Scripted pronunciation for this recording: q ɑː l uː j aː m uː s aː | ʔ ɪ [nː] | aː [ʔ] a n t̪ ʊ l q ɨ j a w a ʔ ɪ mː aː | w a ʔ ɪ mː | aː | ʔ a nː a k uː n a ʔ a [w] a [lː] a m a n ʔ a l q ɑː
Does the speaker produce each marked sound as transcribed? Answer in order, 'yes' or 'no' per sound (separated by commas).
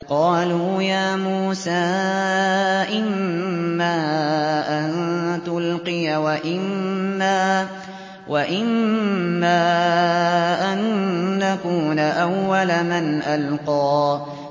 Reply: no, yes, no, no